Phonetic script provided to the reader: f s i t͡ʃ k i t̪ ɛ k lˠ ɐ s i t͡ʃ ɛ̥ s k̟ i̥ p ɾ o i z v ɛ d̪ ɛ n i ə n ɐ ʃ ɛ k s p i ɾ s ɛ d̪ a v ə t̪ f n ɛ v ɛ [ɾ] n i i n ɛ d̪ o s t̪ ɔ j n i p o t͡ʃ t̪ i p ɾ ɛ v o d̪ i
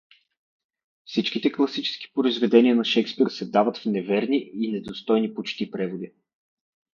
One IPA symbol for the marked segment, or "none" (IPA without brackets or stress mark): ɾ